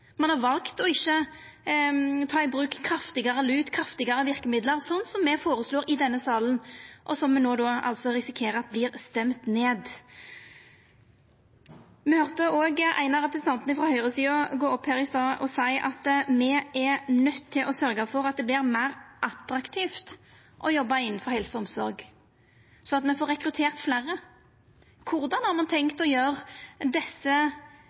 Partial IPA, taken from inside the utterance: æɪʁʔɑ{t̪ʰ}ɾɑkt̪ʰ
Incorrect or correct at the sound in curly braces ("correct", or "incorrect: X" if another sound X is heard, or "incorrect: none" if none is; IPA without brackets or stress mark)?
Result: incorrect: t̪